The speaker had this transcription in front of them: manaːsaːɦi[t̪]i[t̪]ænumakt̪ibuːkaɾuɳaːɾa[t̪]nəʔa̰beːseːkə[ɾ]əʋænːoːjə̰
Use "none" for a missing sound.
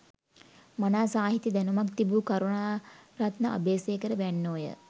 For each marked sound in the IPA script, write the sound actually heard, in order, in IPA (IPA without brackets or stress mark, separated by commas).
t̪, d̪, t̪, ɾ